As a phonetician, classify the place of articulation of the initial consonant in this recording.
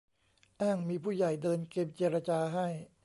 glottal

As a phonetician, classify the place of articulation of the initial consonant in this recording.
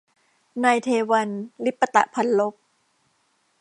alveolar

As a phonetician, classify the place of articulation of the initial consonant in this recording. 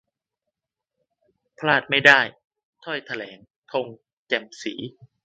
labial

